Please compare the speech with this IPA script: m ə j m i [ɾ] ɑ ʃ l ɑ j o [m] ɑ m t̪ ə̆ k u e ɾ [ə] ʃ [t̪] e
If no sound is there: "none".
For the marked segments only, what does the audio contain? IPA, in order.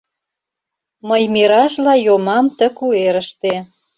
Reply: ɾ, m, ə, t̪

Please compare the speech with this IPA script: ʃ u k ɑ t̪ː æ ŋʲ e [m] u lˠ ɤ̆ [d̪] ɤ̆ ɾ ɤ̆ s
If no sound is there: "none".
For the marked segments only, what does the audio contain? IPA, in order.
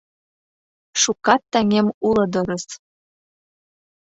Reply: m, d̪

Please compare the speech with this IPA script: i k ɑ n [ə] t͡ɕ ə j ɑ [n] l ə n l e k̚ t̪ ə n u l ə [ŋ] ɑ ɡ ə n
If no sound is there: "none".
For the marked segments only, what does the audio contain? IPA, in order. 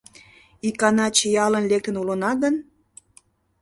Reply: ɑ, none, n

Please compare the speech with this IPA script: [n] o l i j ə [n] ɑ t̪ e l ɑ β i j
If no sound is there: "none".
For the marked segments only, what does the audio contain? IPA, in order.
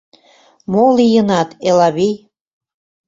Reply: m, n

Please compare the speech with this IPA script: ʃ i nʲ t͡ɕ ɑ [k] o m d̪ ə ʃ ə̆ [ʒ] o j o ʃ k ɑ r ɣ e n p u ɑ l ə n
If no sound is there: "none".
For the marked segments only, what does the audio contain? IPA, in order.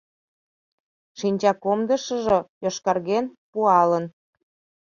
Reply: k, ʒ

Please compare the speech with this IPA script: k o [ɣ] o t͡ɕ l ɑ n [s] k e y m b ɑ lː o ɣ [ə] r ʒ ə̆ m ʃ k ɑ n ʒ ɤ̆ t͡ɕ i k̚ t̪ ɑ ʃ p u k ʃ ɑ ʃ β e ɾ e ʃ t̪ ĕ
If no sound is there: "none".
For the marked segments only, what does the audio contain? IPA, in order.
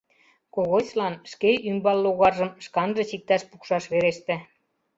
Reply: ɣ, ʃ, ɑ

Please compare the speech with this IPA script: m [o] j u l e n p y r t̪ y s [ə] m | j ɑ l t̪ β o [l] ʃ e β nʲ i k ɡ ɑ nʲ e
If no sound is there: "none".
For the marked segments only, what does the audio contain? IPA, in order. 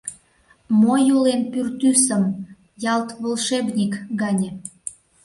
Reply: o, ə, l

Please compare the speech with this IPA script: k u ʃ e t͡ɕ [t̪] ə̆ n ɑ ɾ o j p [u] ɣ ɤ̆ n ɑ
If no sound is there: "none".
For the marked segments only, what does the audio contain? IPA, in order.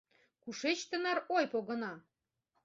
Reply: t̪, o

